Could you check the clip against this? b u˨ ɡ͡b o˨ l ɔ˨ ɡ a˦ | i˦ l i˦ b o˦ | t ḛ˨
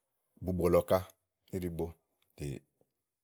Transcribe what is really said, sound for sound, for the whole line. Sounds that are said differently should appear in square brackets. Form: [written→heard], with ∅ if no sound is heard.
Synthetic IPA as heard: b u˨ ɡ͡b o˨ l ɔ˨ [ɡ→k] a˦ | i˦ [l→ɾ] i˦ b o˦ | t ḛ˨